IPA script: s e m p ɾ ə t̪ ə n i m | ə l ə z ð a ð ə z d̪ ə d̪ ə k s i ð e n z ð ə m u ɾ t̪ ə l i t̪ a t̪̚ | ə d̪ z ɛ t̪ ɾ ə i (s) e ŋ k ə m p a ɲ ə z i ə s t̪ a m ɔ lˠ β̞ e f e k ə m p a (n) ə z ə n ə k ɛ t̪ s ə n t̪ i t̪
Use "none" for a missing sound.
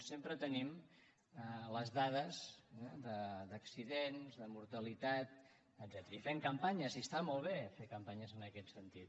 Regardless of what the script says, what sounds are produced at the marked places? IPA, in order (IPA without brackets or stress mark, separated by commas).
f, ɲ